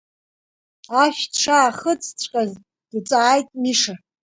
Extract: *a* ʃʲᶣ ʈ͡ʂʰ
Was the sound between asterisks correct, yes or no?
yes